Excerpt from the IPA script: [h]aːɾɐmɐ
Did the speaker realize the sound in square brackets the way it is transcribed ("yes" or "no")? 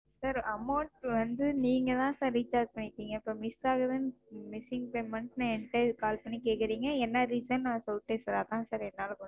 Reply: no